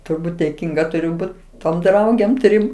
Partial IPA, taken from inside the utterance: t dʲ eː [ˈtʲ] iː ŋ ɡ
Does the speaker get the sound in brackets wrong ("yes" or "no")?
yes